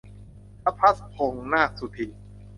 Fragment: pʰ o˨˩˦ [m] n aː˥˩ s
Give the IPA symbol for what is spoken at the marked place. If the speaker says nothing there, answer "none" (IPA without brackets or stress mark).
ŋ